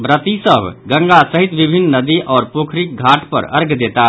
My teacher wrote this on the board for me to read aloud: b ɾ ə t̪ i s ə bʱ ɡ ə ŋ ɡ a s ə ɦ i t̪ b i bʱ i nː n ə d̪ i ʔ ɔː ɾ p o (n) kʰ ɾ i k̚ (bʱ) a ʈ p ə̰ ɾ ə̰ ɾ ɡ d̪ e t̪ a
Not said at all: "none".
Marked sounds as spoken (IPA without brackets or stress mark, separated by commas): none, ɡʱ